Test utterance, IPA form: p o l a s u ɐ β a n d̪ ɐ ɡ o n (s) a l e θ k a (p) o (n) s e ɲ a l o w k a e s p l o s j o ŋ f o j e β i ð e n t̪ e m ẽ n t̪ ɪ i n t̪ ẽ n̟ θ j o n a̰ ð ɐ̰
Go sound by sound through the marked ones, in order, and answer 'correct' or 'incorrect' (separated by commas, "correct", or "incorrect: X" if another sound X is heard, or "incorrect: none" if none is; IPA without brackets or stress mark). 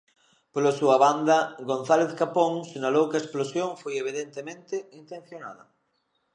incorrect: θ, correct, incorrect: ŋ